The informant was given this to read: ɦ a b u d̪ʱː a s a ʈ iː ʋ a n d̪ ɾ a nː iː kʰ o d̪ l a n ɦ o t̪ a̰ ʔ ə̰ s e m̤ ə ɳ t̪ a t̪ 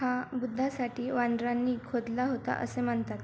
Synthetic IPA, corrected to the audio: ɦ a b u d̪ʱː a s a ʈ iː ʋ a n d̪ ɾ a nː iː kʰ o d̪ l a ɦ o t̪ a̰ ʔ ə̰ s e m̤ ə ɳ t̪ a t̪